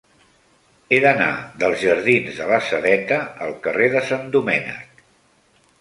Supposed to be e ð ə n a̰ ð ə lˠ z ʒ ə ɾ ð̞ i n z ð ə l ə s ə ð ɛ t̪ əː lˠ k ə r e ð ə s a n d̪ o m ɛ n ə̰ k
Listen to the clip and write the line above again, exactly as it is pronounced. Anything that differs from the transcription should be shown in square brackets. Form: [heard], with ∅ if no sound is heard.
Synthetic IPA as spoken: e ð ə n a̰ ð ə lˠ z ʒ ə ɾ ð̞ i n z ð ə l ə s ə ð ɛ t̪ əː lˠ k ə r e ð ə s a n d̪ [u] m ɛ n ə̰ k